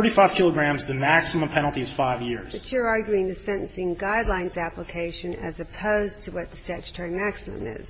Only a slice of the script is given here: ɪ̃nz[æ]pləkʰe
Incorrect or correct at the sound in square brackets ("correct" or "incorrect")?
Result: correct